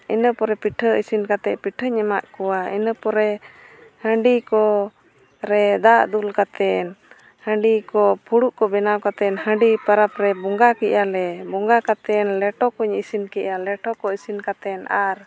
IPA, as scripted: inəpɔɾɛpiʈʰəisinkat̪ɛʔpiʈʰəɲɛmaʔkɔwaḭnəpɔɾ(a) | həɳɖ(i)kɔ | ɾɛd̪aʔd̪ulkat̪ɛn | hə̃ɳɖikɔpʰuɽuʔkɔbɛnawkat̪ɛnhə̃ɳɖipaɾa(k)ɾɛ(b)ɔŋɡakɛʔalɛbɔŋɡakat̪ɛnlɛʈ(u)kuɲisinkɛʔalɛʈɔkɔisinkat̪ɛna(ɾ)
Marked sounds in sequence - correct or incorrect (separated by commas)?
incorrect, correct, incorrect, correct, incorrect, correct